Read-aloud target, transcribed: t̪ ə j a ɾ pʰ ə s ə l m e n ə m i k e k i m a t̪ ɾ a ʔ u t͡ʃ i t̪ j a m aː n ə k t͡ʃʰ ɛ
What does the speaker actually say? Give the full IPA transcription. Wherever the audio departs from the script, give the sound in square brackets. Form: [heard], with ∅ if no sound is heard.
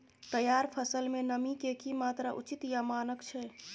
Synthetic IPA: t̪ ə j a ɾ pʰ ə s ə l m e n ə m i k e k i m a t̪ ɾ a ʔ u t͡ʃ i t̪ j a m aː n ə k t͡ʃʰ ɛ